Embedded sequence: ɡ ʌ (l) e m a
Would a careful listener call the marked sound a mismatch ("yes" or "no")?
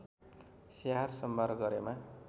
yes